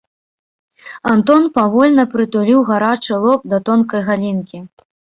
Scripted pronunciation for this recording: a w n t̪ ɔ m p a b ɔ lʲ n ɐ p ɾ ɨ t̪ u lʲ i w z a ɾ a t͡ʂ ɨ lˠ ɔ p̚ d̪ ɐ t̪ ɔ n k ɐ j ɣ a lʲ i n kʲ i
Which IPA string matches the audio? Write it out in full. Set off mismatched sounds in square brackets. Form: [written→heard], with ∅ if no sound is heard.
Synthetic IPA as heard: a [w→∅] n t̪ ɔ [m→n] p a [b→v] ɔ lʲ n ɐ p ɾ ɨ t̪ u lʲ i w [z→ɣ] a ɾ a t͡ʂ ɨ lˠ ɔ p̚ d̪ ɐ t̪ ɔ n k ɐ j ɣ a lʲ i n kʲ i